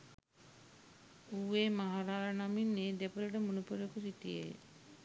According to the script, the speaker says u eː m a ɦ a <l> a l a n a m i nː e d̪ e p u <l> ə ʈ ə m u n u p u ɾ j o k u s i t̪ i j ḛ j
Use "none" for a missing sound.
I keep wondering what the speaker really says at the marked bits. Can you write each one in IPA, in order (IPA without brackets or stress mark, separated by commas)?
ɾ, l